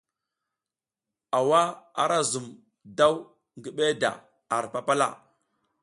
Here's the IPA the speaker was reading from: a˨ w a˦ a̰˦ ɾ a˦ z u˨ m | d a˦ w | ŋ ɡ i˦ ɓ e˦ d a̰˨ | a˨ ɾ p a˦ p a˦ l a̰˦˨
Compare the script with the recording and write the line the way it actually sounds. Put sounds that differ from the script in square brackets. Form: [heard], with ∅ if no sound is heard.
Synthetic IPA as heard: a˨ w a˦ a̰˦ ɾ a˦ z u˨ m | d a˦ w | ŋ ɡ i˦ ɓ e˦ d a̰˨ | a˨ ɾ p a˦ p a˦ l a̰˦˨